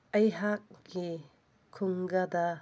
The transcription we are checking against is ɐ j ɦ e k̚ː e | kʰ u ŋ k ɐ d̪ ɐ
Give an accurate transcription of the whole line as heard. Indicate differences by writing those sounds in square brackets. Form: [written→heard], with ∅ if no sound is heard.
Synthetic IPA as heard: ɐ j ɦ [e→a] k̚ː [e→i] | kʰ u ŋ [k→ɡ] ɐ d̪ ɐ